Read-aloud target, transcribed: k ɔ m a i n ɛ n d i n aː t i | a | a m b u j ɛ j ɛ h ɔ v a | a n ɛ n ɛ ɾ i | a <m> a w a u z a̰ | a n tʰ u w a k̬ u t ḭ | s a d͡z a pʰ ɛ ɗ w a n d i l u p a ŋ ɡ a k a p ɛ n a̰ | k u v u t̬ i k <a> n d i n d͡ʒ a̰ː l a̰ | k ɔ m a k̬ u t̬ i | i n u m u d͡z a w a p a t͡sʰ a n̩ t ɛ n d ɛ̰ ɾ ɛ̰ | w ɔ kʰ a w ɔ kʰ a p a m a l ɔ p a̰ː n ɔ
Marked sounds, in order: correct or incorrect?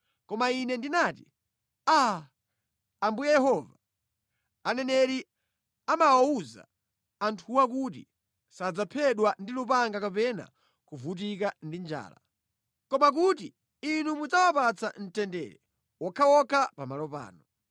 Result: correct, correct

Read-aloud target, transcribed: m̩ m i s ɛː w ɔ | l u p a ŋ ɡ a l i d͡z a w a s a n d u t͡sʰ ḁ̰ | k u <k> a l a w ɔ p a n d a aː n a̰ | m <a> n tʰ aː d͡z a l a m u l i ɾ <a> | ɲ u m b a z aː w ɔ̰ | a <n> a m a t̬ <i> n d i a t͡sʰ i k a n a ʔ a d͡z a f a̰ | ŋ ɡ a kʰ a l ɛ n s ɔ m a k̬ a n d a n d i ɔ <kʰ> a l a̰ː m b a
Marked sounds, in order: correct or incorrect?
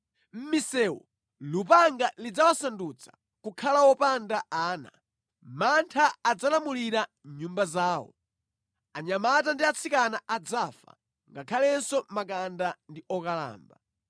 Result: incorrect, correct, correct, incorrect, incorrect, incorrect

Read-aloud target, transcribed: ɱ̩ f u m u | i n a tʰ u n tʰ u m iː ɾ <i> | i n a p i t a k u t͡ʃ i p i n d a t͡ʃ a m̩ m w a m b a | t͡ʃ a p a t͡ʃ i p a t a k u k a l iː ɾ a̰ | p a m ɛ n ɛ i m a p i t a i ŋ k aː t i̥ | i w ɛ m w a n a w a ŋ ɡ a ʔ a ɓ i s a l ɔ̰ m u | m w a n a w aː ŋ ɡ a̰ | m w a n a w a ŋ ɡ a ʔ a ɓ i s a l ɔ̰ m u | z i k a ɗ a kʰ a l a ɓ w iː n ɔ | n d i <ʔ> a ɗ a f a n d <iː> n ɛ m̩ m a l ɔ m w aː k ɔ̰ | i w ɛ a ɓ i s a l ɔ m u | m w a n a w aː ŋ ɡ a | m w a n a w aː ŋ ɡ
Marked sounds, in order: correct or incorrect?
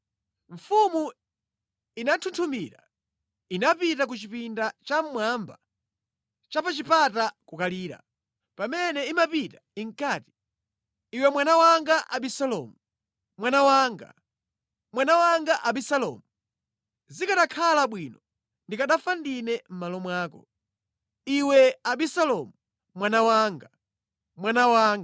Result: incorrect, incorrect, incorrect

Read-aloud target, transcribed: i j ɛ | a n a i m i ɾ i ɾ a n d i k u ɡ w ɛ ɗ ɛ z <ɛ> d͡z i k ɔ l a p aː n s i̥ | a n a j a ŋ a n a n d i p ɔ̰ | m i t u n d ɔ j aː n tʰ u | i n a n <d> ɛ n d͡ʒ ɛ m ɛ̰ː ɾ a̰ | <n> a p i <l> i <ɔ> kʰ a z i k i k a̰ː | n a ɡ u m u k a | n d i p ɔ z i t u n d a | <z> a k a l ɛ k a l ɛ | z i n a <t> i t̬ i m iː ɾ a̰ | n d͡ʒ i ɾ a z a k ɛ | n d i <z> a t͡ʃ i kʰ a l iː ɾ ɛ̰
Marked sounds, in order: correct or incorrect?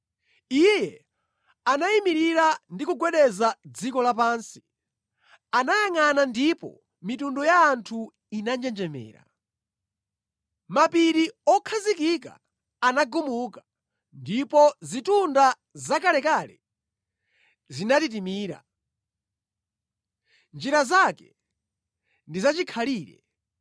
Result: incorrect, incorrect, incorrect, incorrect, correct, correct, correct, correct

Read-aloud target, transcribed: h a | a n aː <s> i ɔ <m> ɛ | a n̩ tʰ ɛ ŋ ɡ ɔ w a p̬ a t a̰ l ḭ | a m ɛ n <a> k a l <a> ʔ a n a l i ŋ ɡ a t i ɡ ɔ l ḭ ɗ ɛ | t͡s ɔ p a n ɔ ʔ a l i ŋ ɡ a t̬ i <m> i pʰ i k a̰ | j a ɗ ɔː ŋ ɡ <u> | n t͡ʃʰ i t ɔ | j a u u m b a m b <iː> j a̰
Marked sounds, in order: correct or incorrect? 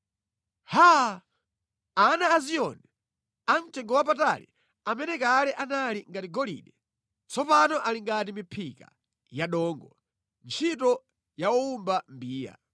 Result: incorrect, incorrect, incorrect, incorrect, correct, incorrect, correct

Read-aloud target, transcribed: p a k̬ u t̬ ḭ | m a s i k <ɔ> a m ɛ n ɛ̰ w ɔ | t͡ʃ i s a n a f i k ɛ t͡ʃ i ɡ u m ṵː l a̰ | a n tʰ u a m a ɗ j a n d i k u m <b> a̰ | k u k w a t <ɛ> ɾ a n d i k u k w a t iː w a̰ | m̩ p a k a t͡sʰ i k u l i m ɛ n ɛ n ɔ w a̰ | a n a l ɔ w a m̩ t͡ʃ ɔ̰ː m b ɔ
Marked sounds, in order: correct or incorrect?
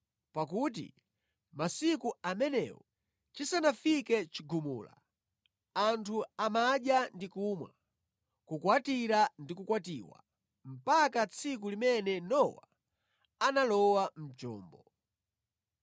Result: incorrect, incorrect, incorrect

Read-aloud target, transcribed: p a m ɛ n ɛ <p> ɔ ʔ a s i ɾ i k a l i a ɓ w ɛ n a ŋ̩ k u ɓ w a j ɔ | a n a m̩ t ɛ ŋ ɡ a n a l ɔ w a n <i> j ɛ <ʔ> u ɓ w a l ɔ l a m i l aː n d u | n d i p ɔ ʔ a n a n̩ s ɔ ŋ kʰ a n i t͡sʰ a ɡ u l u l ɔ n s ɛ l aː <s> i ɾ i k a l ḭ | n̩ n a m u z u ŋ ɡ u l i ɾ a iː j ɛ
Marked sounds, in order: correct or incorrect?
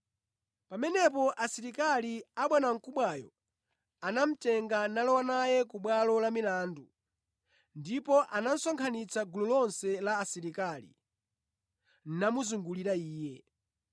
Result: correct, incorrect, incorrect, correct

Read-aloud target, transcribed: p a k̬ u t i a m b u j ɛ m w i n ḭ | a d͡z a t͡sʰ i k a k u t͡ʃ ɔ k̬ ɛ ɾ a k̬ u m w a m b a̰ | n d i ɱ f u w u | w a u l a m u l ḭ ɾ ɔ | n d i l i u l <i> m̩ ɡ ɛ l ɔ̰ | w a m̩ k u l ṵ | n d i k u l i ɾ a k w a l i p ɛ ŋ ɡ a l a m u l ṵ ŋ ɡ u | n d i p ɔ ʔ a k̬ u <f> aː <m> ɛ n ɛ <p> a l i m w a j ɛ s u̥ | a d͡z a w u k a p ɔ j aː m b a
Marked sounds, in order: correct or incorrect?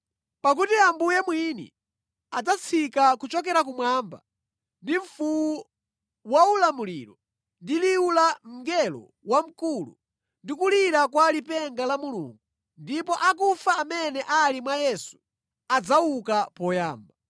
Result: incorrect, correct, correct, incorrect

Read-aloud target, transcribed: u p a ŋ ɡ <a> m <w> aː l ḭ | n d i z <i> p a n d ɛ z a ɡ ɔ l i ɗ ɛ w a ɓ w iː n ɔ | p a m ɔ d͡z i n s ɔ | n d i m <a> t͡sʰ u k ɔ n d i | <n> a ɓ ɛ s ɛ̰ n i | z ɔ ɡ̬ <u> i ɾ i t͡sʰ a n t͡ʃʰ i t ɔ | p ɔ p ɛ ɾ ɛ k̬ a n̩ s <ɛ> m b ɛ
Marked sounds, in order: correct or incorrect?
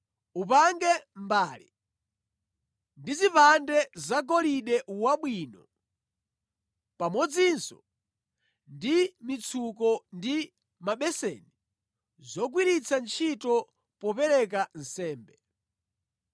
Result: incorrect, incorrect, correct, incorrect, incorrect, incorrect, incorrect

